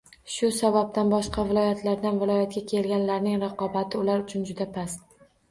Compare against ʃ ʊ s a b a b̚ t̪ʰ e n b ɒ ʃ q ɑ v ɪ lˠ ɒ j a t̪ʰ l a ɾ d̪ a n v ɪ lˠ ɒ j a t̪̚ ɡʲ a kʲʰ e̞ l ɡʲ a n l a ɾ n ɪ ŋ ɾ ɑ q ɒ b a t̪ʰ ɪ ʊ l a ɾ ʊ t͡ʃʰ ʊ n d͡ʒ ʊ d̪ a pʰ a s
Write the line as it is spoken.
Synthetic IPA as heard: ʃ ʊ s a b a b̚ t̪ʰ a n b ɒ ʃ q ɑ v ɪ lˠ ɒ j a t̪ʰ l a ɾ d̪ a n v ɪ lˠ ɒ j a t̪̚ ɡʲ a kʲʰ e̞ l ɡʲ a n l a ɾ n ɪ ŋ ɾ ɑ q ɒ b a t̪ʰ ɪ ʊ l a ɾ ʊ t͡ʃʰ ʊ n d͡ʒ ʊ d̪ a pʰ a s